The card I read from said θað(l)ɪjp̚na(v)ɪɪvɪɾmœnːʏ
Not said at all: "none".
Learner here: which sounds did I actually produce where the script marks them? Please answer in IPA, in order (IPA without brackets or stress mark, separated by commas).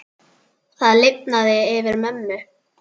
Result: l, ð